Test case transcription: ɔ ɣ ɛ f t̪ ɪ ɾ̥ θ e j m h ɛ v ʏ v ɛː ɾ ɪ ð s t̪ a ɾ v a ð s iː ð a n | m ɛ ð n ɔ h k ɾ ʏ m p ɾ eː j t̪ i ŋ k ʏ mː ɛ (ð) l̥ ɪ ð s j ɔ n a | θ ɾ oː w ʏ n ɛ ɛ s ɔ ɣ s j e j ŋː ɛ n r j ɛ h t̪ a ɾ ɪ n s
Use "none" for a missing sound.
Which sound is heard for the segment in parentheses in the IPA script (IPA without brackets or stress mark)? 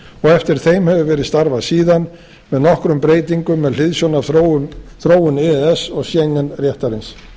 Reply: ð